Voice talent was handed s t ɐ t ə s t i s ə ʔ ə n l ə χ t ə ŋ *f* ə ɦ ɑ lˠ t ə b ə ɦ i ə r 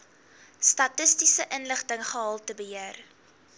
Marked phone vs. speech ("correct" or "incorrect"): incorrect